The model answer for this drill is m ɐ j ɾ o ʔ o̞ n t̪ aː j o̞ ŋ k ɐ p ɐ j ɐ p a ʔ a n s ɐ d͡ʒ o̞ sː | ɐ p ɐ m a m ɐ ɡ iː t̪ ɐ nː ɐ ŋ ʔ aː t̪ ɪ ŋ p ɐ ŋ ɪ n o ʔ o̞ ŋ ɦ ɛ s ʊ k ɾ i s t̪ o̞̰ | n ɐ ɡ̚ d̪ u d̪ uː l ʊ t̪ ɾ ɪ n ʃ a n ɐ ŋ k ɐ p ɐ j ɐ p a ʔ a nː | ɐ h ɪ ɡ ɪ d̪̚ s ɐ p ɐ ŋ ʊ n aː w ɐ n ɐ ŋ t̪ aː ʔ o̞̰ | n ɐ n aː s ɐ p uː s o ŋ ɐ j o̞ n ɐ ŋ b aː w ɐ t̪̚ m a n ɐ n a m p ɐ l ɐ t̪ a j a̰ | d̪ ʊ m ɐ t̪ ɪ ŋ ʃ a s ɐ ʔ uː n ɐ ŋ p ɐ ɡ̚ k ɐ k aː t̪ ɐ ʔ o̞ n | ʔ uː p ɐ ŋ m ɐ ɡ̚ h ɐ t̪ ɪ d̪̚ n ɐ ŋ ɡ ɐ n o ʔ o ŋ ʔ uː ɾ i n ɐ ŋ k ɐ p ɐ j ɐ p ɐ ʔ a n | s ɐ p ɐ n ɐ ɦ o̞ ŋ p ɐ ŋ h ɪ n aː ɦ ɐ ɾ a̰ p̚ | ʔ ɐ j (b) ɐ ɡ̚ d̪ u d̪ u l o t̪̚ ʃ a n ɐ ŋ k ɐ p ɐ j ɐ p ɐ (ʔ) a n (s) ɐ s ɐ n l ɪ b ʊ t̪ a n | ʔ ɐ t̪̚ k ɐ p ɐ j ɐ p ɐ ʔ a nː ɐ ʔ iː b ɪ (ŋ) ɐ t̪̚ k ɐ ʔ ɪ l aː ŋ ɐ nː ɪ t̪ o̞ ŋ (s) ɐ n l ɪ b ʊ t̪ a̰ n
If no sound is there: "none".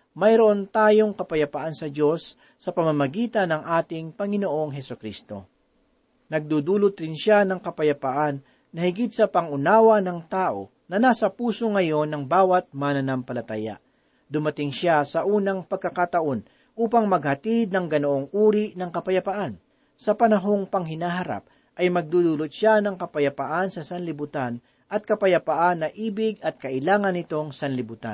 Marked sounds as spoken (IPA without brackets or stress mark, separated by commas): m, ʔ, s, ɡ, s